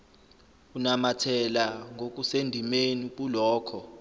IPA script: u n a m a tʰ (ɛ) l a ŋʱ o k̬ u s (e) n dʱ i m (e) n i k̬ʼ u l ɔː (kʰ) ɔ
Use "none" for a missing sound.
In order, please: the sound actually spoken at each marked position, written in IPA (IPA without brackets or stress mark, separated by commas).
ɛ, e, e, kʰ